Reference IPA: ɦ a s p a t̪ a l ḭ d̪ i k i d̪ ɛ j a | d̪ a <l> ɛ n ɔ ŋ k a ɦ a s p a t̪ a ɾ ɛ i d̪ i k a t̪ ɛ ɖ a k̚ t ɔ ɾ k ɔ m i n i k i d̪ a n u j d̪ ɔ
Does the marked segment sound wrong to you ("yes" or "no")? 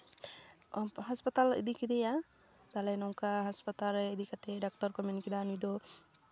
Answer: no